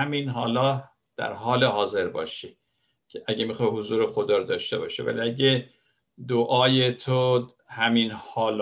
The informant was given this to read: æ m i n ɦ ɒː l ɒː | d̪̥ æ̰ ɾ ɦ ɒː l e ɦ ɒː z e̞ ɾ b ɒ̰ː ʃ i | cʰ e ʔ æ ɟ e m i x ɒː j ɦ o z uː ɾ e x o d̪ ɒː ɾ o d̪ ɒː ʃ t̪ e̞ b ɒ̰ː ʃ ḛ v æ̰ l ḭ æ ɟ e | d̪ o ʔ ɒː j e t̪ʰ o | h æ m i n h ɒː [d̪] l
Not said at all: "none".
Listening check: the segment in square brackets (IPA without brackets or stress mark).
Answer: none